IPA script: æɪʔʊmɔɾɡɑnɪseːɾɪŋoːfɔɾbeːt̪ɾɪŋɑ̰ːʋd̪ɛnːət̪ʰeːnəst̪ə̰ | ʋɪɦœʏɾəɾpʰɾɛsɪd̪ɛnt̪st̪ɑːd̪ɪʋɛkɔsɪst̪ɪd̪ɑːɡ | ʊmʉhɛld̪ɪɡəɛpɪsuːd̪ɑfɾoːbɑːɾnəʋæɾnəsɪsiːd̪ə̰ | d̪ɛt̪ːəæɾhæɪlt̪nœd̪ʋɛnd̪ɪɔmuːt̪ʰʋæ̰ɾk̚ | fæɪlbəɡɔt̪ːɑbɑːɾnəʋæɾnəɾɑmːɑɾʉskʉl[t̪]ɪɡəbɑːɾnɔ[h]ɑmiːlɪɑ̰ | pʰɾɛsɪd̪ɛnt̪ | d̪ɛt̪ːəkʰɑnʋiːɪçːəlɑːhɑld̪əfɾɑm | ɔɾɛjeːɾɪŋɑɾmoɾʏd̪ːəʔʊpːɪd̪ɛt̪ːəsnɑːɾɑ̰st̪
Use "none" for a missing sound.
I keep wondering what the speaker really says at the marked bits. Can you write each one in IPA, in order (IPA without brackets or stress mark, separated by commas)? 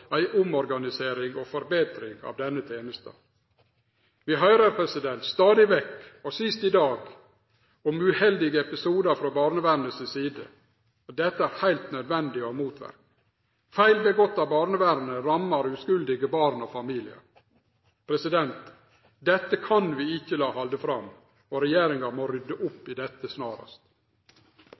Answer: d̪, f